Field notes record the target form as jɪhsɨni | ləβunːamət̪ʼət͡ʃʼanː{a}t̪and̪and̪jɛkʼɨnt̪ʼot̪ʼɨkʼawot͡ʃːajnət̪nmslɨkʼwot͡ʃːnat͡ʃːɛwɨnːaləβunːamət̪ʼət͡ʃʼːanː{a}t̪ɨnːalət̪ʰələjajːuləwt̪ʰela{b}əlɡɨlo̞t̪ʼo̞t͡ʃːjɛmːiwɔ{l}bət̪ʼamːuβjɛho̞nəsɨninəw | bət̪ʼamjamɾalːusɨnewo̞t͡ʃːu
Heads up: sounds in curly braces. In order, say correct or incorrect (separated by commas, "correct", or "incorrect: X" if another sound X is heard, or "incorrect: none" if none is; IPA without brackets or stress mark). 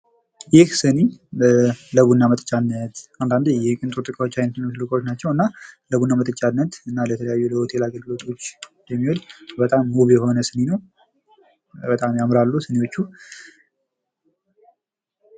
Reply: incorrect: ə, incorrect: ə, incorrect: ɡ, correct